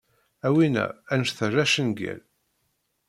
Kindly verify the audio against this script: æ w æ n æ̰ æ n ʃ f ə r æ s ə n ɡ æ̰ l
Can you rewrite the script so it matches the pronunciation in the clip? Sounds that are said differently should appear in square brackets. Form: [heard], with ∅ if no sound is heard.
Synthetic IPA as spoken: æ w [i] n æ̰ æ n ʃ [θ] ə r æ [ʃ] ə n ɡ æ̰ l